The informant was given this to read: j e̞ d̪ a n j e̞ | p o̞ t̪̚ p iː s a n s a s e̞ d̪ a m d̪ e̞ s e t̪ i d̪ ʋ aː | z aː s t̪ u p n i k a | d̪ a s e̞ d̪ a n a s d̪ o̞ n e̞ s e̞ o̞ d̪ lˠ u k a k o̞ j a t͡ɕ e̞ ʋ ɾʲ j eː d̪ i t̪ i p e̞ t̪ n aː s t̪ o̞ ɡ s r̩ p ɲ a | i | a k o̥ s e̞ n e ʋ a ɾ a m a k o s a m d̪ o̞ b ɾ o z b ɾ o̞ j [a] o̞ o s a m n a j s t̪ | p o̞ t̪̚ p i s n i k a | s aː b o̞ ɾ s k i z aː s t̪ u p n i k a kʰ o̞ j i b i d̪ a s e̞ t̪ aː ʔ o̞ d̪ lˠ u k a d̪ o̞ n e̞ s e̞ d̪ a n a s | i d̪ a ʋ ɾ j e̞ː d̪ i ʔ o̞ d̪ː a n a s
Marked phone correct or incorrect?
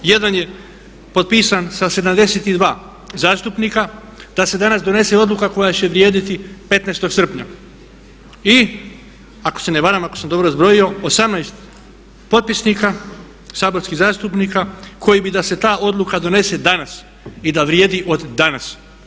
incorrect: i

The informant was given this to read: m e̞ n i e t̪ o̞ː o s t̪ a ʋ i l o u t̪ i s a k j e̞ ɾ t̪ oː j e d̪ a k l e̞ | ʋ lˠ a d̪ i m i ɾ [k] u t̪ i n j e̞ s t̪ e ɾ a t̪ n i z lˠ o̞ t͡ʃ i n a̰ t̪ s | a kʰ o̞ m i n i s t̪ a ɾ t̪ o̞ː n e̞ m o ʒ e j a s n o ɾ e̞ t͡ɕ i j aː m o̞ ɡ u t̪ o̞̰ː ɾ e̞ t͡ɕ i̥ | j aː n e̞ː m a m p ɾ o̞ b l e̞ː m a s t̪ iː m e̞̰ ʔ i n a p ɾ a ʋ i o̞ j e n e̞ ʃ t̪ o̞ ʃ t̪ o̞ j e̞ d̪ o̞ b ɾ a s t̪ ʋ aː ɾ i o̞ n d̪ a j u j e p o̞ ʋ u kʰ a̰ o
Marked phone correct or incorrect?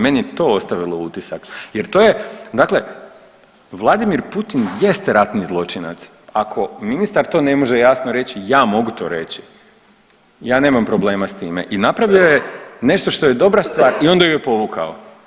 incorrect: p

